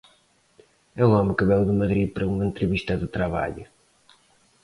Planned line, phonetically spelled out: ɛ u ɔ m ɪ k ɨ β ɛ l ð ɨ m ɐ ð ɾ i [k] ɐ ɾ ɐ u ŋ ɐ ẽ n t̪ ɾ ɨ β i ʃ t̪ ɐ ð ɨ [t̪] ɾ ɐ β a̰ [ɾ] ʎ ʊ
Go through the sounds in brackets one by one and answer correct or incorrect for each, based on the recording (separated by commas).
incorrect, correct, incorrect